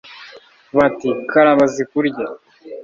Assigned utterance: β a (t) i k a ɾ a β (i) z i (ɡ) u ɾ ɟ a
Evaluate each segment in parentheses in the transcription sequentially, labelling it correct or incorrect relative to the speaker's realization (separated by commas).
correct, incorrect, incorrect